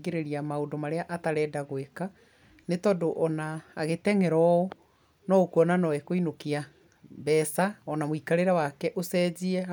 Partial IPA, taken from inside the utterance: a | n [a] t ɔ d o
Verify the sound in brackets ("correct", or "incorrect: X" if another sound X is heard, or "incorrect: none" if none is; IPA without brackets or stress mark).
incorrect: e